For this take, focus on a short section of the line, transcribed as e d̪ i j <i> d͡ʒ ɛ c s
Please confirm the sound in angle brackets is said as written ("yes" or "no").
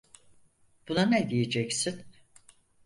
no